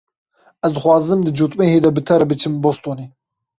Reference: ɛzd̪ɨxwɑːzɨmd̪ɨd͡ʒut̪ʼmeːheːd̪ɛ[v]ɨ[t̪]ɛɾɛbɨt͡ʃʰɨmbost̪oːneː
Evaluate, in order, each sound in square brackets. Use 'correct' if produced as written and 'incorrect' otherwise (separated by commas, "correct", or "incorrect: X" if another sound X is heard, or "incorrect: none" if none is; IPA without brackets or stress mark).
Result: incorrect: b, incorrect: t̪ʰ